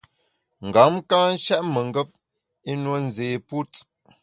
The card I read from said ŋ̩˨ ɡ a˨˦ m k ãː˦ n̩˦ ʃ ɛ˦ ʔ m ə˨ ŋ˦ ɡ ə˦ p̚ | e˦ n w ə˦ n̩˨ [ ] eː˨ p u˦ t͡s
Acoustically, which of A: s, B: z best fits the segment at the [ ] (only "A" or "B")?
B